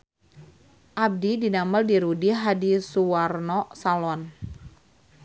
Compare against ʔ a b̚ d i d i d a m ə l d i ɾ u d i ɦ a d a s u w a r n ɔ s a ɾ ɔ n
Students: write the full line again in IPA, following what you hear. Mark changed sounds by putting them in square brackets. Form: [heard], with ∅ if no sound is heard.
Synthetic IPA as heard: ʔ a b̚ d i d i [n] a m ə l d i ɾ u d i ɦ a d [i] s u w a r n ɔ s a [l] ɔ n